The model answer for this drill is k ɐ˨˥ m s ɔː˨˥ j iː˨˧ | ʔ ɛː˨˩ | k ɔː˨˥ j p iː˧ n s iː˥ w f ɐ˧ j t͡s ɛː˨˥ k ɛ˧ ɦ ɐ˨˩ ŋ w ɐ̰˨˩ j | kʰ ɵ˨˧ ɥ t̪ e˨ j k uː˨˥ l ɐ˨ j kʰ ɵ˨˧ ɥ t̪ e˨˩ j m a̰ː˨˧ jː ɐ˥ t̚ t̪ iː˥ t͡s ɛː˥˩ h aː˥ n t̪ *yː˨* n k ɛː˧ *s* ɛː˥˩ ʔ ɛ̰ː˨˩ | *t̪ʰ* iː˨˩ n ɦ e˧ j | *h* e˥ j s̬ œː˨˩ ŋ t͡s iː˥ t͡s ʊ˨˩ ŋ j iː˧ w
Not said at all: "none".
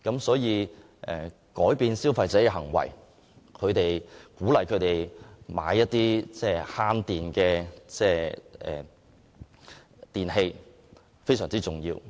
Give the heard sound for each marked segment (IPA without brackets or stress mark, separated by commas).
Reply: iː˨, t͡s, t̪, f